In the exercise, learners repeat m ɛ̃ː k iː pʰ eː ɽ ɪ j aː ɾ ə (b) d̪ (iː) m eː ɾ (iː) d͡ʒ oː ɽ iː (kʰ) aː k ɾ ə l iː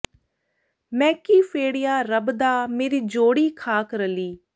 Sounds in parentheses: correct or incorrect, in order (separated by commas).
correct, incorrect, correct, correct